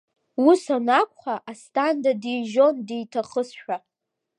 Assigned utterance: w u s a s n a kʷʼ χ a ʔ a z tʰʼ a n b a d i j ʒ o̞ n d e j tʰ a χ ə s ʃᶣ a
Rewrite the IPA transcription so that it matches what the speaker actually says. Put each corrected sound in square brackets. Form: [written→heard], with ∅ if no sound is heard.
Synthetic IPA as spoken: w u s a [s→∅] n a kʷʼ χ a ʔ a [z→s] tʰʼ a n [b→d] a d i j ʒ o̞ n d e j tʰ a χ ə s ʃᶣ a

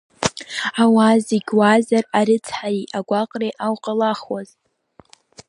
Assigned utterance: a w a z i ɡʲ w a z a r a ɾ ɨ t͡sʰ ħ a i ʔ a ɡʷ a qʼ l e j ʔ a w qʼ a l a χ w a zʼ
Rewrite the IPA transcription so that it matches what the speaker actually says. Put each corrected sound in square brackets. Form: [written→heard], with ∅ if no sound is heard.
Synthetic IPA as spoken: a w a z i ɡʲ w a z a r a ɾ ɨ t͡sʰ ħ a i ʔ a ɡʷ a qʼ [l→r] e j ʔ a w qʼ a l a χ w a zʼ

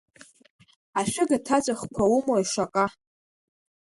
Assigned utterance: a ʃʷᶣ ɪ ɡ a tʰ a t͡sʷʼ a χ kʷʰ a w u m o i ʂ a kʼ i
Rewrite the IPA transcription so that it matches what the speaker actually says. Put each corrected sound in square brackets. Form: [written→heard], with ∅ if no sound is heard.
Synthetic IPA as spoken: a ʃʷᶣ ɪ ɡ a tʰ a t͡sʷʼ a χ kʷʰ a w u m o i ʂ a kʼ [i→a]

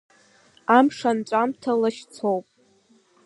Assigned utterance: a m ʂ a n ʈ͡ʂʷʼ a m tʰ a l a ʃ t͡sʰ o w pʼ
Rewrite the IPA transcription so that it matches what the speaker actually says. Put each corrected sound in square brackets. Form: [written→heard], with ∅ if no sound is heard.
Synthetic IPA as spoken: a m ʂ a n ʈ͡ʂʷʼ a m tʰ a l a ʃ t͡sʰ o w pʼ

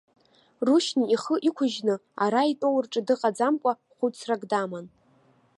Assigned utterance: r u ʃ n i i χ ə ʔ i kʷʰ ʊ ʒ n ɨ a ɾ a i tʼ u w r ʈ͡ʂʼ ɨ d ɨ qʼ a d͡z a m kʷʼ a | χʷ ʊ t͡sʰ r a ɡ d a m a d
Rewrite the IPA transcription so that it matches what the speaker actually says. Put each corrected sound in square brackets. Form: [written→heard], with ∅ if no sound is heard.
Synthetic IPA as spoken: r u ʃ n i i χ ə ʔ i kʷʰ ʊ ʒ n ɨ a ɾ a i tʼ [u→o] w r ʈ͡ʂʼ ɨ d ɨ qʼ a d͡z a m kʷʼ a | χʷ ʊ t͡sʰ r a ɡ d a m a [d→n]

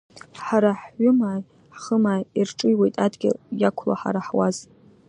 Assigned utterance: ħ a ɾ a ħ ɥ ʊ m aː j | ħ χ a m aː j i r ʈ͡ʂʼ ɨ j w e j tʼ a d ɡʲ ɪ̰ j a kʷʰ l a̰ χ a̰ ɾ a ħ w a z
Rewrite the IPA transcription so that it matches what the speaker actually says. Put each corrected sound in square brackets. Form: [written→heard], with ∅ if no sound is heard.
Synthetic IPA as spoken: ħ a ɾ a ħ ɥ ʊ m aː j | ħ χ [a→ə] m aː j i r ʈ͡ʂʼ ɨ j w e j tʼ a d ɡʲ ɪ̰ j a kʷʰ l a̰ [χ→ħ] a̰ ɾ a ħ w a z

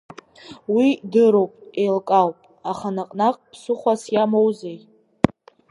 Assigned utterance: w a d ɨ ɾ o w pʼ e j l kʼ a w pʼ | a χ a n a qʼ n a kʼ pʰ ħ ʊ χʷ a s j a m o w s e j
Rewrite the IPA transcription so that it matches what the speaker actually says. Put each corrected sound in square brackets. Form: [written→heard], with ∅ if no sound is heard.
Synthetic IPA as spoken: w [a→i] d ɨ ɾ o w pʼ e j l kʼ a w pʼ | a χ a n a qʼ n a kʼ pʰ [ħ→s] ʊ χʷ a s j a m o w [s→z] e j

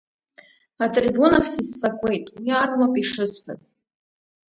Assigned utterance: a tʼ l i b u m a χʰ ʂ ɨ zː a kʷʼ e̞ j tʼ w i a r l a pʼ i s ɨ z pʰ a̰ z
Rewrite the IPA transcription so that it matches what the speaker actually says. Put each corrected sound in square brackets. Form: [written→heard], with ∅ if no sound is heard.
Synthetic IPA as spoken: a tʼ [l→r] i b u [m→n] a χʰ [ʂ→s] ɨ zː a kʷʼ e̞ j tʼ w i a r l a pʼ i [s→ʂ] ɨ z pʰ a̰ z

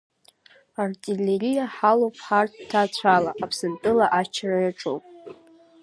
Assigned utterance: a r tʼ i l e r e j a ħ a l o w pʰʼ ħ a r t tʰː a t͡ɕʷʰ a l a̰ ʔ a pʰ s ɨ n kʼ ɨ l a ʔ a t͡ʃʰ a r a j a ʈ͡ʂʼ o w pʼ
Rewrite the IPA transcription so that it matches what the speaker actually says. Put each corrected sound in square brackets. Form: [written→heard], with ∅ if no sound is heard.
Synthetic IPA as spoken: a r tʼ i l e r [e→i] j a ħ a l o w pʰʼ ħ a r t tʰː a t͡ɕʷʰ a l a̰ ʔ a pʰ s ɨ n [kʼ→tʼ] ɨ l a ʔ a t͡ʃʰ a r a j a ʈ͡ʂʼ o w pʼ

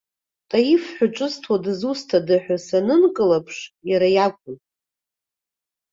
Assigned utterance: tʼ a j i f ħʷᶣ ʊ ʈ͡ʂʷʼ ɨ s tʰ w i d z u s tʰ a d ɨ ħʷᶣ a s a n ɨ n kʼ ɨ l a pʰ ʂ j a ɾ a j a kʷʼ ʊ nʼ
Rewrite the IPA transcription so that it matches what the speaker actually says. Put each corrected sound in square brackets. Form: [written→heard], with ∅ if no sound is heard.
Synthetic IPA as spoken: tʼ a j i f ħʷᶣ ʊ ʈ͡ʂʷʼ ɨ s tʰ w [i→a] d z u s tʰ a d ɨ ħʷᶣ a s a n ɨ n kʼ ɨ l a pʰ ʂ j a ɾ a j a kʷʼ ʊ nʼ

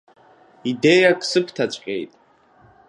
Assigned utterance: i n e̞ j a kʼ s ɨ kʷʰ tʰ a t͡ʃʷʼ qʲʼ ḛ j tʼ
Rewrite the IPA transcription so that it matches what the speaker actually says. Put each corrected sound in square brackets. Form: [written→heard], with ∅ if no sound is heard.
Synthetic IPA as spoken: i [n→d] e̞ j a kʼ s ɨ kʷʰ tʰ a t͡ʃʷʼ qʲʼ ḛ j tʼ

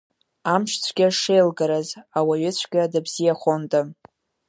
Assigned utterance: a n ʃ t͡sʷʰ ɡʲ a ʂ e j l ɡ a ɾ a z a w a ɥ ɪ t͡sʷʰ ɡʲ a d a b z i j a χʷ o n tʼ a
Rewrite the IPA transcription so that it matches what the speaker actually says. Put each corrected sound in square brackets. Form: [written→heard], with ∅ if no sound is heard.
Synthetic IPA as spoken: a [n→m] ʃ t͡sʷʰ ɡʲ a ʂ e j l ɡ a ɾ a z a w a ɥ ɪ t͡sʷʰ ɡʲ a d a b z i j a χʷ o n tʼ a

